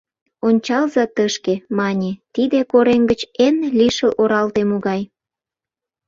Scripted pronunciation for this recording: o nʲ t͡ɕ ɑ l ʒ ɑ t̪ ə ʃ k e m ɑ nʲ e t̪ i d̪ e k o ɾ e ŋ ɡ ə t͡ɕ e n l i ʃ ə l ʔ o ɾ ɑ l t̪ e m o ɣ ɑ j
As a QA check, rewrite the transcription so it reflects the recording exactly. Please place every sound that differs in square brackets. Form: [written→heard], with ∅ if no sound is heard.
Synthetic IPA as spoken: o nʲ t͡ɕ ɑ l [ʒ→z] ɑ t̪ ə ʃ k e m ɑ nʲ e t̪ i d̪ e k o ɾ e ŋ ɡ ə t͡ɕ e n l i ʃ ə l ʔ o ɾ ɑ l t̪ e m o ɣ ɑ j